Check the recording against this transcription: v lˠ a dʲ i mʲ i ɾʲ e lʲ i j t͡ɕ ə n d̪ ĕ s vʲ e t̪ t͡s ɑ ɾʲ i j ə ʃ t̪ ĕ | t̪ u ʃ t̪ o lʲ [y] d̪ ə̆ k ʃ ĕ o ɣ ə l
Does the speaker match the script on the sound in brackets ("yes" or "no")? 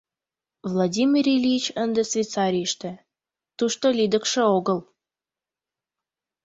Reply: no